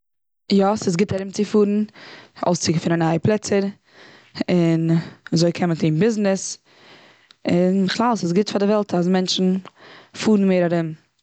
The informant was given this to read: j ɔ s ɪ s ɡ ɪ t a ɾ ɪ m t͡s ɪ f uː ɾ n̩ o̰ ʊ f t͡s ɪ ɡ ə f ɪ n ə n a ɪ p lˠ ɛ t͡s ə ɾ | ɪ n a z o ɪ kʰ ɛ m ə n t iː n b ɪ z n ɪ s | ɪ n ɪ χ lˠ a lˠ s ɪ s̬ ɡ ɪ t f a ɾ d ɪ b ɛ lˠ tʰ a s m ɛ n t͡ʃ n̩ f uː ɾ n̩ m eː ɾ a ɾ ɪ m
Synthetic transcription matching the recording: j ɔ s ɪ s ɡ ɪ t a ɾ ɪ m t͡s ɪ f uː ɾ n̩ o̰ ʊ s t͡s ɪ ɡ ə f ɪ n ə n a ɪ p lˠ ɛ t͡s ə ɾ | ɪ n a z o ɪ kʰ ɛ m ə n t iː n b ɪ z n ɪ s | ɪ n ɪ χ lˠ a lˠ s ɪ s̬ ɡ ɪ t f a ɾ d ɪ v ɛ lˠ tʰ a s m ɛ n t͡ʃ n̩ f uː ɾ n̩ m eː ɾ a ɾ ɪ m